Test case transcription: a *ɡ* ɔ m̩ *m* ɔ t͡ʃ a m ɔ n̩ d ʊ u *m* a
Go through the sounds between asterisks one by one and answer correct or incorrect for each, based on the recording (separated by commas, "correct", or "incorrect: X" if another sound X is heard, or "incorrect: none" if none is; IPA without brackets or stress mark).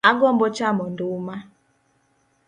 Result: correct, incorrect: b, correct